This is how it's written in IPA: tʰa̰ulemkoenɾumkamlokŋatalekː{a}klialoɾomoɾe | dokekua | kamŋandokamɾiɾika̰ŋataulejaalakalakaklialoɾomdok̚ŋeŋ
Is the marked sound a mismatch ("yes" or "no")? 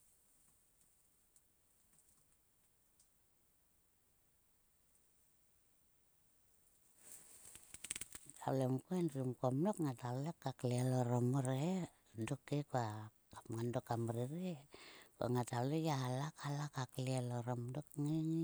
no